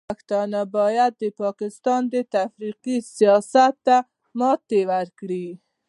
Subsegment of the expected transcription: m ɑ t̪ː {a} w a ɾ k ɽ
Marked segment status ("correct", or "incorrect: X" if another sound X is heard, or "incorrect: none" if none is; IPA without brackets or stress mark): incorrect: e